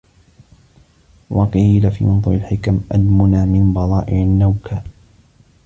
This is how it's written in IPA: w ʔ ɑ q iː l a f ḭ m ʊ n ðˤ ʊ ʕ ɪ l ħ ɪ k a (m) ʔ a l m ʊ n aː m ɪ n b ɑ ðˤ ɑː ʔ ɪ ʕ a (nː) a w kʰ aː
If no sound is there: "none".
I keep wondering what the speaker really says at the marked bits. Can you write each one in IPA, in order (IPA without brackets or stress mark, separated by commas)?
m, nː